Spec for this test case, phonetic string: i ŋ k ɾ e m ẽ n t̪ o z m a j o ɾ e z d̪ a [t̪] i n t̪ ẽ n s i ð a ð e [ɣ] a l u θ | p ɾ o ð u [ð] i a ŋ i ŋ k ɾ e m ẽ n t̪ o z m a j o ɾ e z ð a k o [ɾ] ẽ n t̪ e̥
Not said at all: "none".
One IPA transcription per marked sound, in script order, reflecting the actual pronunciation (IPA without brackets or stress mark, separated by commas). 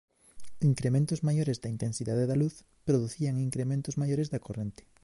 none, ð, θ, r